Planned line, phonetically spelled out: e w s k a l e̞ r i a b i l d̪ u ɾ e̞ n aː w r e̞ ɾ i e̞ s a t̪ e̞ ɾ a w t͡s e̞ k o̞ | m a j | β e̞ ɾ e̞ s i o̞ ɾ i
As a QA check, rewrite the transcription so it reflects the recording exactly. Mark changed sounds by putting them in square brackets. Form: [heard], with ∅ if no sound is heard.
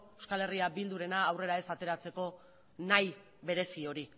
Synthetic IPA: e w s k a l e̞ r i a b i l d̪ u ɾ e̞ n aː w r e̞ ɾ [a] e̞ s a t̪ e̞ ɾ a [∅] t͡s e̞ k o̞ | [n] a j | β e̞ ɾ e̞ s i o̞ ɾ i